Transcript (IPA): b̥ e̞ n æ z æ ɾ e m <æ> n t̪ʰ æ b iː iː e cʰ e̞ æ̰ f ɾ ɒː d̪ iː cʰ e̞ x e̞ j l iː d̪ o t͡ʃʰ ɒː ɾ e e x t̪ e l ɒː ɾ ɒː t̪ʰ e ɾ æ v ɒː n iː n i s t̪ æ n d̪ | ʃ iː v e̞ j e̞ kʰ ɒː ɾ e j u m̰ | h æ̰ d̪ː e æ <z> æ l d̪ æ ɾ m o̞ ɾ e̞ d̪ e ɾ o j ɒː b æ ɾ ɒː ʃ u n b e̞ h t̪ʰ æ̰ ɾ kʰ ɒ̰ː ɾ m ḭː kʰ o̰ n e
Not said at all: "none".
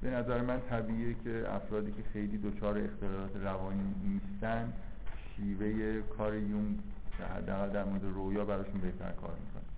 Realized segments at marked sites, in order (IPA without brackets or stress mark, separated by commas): æ, ɣ